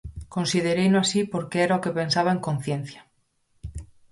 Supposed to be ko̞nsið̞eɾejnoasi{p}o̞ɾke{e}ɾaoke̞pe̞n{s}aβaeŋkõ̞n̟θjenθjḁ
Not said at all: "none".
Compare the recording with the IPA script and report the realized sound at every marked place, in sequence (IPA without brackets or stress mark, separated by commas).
p, e, s